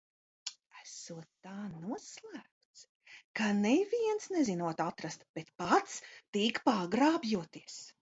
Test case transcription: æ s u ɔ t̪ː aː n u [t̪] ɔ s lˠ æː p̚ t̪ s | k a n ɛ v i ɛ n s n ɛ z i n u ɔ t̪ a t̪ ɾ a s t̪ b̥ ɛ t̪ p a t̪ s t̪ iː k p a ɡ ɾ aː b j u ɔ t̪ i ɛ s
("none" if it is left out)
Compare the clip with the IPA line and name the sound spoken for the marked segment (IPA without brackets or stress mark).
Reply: none